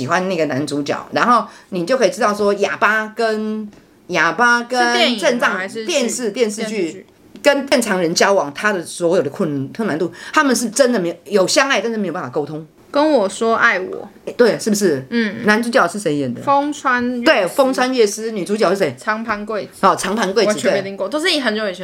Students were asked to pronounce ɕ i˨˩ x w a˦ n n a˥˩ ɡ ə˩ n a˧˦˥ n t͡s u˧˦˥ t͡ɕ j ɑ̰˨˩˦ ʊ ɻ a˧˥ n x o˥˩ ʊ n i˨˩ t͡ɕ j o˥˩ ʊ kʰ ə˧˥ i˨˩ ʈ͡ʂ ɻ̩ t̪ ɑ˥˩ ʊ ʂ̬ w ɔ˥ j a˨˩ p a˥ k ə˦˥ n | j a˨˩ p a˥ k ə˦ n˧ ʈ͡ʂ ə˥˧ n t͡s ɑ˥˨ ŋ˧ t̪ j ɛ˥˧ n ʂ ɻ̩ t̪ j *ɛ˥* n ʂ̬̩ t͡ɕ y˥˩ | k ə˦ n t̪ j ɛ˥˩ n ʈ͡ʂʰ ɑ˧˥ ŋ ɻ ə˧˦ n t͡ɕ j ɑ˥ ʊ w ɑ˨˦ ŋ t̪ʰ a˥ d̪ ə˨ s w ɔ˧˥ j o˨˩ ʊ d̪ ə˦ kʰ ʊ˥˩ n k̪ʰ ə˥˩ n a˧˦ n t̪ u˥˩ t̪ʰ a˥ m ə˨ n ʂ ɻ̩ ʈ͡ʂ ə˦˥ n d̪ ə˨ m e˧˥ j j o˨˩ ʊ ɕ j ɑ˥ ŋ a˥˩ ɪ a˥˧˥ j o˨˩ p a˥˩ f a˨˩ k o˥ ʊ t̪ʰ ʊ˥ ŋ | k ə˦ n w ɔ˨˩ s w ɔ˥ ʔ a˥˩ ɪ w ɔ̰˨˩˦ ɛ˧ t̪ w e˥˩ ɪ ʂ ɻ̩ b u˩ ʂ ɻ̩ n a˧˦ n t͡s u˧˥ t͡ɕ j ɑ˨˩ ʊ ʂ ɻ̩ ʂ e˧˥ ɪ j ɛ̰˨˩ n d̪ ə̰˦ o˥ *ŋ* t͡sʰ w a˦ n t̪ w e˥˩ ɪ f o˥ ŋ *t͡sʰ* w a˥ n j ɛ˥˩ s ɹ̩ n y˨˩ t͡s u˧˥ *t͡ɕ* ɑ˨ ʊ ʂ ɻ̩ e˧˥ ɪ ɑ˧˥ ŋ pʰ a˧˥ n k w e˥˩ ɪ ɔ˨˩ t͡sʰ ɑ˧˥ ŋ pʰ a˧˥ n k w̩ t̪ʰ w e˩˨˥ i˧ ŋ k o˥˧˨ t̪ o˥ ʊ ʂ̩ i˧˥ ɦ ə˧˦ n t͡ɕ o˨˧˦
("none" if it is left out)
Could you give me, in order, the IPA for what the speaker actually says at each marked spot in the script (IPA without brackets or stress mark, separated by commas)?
ɛ˥˧, ŋ, t͡sʰ, t͡ɕ